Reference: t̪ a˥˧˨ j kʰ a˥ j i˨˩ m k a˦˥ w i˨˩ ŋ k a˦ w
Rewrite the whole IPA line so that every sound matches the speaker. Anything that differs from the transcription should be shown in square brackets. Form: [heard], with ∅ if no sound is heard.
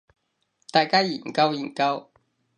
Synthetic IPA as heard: t̪ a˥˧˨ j [k] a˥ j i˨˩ [ŋ] k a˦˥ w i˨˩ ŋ k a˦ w